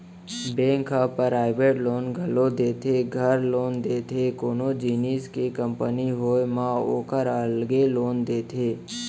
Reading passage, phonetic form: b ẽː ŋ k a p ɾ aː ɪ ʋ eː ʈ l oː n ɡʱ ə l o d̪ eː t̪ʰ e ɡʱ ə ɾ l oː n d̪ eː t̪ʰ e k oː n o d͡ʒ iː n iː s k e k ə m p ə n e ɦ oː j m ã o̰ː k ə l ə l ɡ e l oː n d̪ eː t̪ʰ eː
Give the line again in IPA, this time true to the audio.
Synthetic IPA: b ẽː ŋ k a p ɾ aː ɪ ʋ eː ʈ l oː n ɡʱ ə l o d̪ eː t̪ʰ e ɡʱ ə ɾ l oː n d̪ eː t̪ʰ e k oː n o d͡ʒ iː n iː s k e k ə m p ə n i ɦ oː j m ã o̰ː k ə ɾ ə l ɡ e l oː n d̪ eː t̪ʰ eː